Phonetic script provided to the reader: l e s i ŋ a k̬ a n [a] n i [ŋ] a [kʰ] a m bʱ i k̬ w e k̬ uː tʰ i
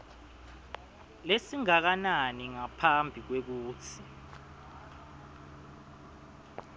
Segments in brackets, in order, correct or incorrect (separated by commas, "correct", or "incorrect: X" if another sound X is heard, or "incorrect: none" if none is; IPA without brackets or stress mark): correct, correct, incorrect: pʰ